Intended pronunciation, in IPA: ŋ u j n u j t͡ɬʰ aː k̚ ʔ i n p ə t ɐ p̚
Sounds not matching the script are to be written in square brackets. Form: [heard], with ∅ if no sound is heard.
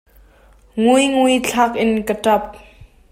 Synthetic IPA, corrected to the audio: ŋ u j [ŋ] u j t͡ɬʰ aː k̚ ʔ [ɪ] n [k] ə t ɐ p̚